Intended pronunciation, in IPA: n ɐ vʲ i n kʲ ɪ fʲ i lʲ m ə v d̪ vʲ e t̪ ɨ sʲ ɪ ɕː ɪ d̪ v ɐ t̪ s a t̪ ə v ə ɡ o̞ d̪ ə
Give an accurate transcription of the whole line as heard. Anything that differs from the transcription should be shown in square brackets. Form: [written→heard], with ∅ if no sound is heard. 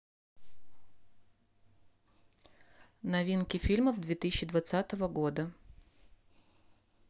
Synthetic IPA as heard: n ɐ vʲ i n kʲ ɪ fʲ i lʲ m ə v d̪ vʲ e t̪ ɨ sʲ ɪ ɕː ɪ d̪ v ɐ t̪ s a t̪ ə v ə ɡ o̞ d̪ ə